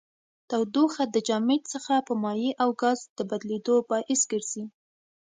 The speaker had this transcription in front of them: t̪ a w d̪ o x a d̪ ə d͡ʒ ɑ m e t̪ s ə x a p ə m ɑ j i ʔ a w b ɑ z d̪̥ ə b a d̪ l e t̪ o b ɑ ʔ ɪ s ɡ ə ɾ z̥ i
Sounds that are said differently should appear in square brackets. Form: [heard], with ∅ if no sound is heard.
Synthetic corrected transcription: t̪ a w d̪ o x a d̪ ə d͡ʒ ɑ m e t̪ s ə x a p ə m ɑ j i ʔ a w [ɡ] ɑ z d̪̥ ə b a d̪ l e [d̪] o b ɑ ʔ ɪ s ɡ ə ɾ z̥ i